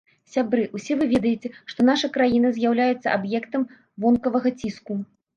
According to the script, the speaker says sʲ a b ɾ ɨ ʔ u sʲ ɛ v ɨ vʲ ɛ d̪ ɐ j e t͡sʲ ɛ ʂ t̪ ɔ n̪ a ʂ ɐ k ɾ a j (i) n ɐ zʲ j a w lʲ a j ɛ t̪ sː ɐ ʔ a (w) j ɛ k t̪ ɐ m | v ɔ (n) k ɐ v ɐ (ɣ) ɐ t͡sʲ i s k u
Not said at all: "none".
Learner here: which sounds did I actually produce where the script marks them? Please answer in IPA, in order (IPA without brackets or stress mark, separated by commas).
i, b, n, ɣ